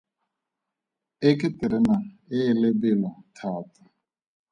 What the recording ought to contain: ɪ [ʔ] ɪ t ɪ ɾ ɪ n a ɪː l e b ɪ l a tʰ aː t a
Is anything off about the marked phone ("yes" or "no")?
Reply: yes